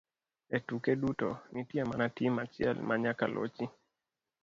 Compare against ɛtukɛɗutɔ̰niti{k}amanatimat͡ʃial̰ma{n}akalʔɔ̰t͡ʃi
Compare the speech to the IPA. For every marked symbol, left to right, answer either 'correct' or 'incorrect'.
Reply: incorrect, incorrect

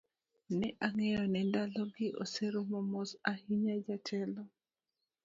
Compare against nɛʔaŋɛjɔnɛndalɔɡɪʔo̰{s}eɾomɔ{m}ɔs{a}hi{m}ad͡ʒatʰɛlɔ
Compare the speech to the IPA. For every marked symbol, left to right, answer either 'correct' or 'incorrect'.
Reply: correct, correct, correct, incorrect

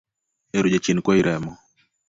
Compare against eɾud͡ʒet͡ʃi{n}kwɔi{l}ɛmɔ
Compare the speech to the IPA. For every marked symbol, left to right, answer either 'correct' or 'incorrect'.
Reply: correct, incorrect

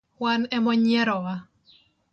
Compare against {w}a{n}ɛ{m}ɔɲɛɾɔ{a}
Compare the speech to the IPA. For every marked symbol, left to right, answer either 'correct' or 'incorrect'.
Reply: correct, correct, correct, correct

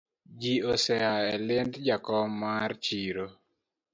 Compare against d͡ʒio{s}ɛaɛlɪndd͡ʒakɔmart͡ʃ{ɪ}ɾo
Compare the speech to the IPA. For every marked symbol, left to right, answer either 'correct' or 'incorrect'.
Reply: correct, incorrect

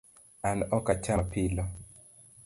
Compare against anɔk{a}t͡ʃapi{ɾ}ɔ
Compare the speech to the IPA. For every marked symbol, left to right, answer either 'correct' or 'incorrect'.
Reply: correct, incorrect

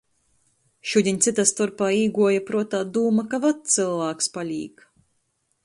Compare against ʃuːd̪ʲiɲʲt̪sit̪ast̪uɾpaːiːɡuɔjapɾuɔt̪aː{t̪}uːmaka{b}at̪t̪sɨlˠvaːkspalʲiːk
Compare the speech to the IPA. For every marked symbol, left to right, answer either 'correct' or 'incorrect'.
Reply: incorrect, incorrect

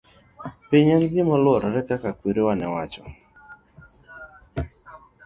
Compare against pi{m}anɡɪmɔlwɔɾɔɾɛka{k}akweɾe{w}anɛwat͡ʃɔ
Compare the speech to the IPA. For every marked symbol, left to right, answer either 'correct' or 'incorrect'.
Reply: incorrect, correct, correct

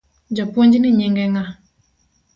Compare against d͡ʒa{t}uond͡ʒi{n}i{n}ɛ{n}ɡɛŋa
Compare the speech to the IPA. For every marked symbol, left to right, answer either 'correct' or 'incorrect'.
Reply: incorrect, correct, incorrect, incorrect

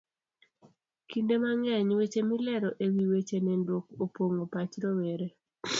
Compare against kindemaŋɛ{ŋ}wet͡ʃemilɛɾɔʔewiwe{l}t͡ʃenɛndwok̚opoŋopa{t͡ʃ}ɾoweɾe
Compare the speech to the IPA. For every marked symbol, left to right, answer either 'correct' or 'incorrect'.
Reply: incorrect, incorrect, correct

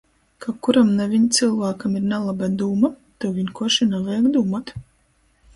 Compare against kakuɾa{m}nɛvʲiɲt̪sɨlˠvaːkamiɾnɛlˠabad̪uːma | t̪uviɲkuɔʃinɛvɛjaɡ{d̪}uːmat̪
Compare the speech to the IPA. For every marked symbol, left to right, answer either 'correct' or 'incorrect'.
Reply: correct, correct

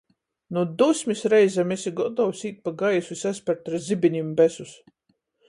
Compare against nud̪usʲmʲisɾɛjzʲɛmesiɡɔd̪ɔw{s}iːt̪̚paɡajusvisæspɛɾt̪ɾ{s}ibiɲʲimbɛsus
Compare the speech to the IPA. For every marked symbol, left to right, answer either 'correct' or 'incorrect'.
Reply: correct, incorrect

